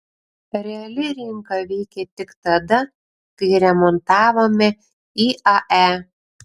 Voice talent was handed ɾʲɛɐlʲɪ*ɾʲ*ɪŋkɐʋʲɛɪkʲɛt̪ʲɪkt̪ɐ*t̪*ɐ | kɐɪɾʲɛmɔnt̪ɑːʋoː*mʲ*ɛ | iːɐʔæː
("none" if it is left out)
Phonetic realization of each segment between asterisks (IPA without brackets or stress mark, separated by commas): ɾʲ, d̪, mʲ